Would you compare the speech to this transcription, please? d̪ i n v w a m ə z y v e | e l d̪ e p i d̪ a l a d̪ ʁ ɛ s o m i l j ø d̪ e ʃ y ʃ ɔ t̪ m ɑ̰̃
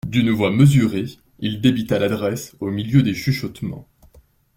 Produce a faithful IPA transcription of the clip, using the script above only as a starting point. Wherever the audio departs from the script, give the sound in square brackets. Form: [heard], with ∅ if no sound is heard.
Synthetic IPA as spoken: d̪ [y] n v w a m ə z y [ʁ] e | [i] l d̪ e [b] i [t̪] a l a d̪ ʁ ɛ s o m i l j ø d̪ e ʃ y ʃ ɔ t̪ m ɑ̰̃